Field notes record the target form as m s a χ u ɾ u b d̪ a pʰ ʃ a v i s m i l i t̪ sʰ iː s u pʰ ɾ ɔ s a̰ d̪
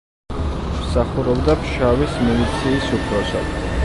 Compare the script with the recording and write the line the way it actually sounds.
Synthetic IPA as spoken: m s a χ u ɾ ɔ b d̪ a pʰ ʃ a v i s m i l i t̪ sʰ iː s u pʰ ɾ ɔ s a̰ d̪